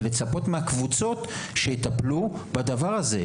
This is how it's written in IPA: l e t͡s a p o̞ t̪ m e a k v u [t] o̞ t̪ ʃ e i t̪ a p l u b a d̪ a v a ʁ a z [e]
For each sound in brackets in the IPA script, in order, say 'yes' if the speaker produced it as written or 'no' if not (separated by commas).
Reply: no, yes